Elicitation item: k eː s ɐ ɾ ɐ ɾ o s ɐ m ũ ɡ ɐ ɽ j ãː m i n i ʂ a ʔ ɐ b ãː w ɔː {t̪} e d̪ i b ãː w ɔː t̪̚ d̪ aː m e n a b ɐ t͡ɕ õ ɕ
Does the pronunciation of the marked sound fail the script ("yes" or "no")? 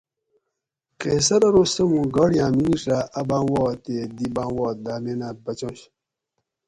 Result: no